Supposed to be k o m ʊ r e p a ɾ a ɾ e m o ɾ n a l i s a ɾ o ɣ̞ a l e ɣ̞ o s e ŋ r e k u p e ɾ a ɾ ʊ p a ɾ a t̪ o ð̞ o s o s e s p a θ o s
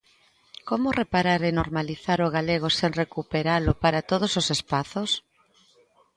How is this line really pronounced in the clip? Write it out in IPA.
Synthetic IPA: k o m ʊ r e p a ɾ a ɾ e n o ɾ m a l i θ a ɾ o ɣ̞ a l e ɣ̞ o s e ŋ r e k u p e ɾ a l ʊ p a ɾ a t̪ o ð̞ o s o s e s p a θ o s

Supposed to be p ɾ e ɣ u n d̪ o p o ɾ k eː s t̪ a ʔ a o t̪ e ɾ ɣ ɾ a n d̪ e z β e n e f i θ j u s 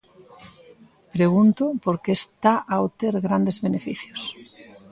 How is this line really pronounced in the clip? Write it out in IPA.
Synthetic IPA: p ɾ e ɣ u n t̪ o p o ɾ k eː s t̪ a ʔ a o t̪ e ɾ ɣ ɾ a n d̪ e z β e n e f i θ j o s

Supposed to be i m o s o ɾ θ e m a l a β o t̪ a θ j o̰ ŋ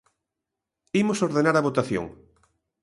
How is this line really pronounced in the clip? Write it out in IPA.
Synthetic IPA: i m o s o ɾ ð e n a ɾ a β o t̪ a θ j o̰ ŋ

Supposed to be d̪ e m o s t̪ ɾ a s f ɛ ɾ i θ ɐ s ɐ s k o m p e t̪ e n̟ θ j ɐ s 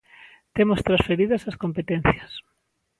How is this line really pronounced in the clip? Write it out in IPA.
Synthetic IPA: t̪ e m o s t̪ ɾ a s f e ɾ i ð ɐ s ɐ s k o m p e t̪ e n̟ θ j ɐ s

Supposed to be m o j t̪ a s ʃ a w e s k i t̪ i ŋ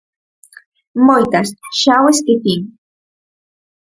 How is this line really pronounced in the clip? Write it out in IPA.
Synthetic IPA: m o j t̪ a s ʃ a w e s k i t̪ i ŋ

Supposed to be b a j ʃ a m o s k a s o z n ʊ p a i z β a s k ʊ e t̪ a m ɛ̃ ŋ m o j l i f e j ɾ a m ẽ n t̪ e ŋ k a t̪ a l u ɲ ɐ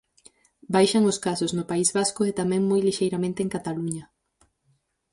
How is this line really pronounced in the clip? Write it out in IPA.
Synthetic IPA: b a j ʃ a ŋ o s k a s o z n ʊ p a i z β a s k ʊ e t̪ a m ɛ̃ ŋ m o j l i ʃ e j ɾ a m ẽ n t̪ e ŋ k a t̪ a l u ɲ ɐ

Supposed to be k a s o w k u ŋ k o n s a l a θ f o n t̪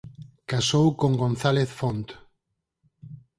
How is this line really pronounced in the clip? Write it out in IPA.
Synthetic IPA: k a s o w k o ŋ ɡ o n θ a l e θ f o n t̪

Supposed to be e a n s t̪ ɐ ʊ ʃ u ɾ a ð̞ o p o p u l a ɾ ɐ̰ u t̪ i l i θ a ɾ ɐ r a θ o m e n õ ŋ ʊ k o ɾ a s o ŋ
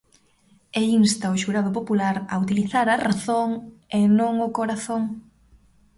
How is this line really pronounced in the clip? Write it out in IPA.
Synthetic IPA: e i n s t̪ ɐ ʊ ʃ u ɾ a ð̞ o p o p u l a ɾ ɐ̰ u t̪ i l i θ a ɾ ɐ r a θ o ŋ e n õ ŋ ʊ k o ɾ a θ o ŋ

